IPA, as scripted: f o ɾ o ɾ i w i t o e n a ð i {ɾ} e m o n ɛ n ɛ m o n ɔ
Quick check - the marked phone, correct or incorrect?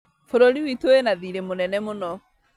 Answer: correct